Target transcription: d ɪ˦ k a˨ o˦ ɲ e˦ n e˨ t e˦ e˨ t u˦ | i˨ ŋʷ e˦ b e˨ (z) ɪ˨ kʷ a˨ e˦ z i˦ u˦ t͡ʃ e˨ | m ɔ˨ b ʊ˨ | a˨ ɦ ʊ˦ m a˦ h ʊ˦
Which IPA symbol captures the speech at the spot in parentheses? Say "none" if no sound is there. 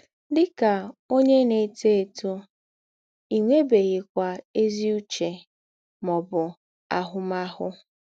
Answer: ɣ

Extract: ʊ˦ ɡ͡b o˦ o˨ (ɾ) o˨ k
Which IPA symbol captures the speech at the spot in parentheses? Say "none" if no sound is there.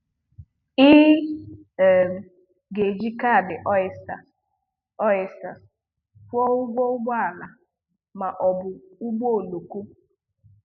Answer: l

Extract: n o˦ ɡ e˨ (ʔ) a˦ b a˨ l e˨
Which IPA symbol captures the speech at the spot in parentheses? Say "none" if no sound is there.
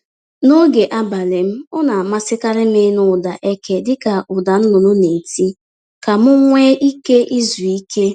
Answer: ʔ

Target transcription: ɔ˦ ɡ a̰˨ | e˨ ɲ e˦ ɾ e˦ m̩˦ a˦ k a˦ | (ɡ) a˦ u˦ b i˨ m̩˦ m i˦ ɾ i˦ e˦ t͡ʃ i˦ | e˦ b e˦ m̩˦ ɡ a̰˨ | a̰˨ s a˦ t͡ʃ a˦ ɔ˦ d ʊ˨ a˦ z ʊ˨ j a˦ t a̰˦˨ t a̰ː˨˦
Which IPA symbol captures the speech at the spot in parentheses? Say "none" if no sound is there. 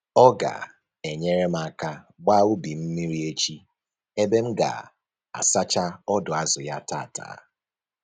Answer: ɡ͡b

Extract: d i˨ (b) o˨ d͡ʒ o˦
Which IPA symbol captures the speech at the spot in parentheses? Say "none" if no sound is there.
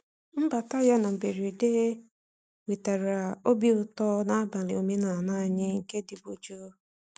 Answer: b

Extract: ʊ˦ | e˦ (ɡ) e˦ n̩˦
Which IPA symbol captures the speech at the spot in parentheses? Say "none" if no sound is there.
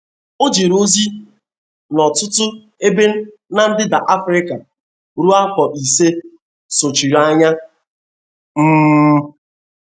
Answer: b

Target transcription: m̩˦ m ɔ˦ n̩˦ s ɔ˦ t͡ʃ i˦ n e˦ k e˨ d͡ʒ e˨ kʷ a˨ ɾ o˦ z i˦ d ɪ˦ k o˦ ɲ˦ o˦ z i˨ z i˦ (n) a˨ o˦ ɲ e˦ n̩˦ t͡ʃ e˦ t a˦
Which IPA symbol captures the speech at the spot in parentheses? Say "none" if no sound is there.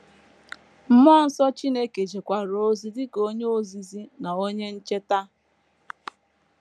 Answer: n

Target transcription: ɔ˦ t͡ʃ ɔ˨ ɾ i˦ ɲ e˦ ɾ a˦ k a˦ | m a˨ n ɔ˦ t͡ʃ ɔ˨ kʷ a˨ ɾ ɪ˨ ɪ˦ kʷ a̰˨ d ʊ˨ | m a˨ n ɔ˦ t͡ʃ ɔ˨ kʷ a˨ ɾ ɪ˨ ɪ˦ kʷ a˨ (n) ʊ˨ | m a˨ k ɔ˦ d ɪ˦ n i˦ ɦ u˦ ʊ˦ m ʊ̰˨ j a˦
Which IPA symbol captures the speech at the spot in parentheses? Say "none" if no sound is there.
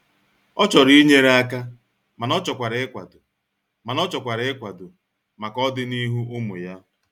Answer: d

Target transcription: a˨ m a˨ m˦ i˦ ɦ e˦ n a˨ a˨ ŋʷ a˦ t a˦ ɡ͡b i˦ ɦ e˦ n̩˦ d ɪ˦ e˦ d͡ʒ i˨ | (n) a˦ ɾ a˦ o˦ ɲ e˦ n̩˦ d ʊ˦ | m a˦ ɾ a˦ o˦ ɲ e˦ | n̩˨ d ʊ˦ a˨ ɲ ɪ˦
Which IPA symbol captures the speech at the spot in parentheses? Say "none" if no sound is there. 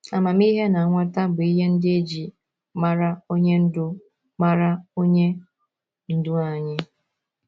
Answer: m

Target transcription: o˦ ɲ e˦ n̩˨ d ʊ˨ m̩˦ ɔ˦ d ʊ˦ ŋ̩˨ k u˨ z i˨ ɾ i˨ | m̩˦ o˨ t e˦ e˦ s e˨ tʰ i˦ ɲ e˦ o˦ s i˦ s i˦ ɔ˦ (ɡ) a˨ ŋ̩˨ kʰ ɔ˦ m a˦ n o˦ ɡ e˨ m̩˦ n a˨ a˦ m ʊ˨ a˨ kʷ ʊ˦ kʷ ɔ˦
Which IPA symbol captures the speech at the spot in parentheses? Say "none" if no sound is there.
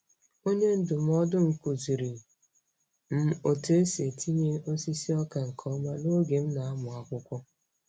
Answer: k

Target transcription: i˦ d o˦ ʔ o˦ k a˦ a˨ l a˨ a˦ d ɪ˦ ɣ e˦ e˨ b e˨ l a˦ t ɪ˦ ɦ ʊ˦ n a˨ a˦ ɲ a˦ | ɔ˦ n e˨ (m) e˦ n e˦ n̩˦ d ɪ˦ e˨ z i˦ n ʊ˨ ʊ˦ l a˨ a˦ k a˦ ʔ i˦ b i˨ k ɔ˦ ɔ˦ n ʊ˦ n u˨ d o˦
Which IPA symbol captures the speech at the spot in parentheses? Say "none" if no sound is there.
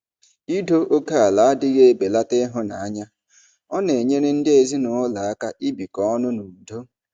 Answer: ɲ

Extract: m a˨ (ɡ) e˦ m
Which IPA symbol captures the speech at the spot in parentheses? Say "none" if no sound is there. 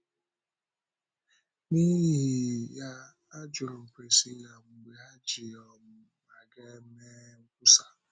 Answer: ɡ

